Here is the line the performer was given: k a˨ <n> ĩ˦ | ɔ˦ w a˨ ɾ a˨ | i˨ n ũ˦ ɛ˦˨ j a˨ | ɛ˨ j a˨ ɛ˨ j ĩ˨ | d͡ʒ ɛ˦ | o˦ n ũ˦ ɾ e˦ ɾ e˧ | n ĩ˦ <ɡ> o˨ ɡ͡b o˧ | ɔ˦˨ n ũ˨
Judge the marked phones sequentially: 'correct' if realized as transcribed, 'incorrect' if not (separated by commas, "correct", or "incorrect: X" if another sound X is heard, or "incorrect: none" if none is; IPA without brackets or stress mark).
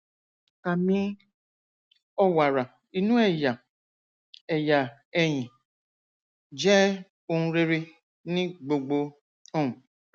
incorrect: m, incorrect: ɡ͡b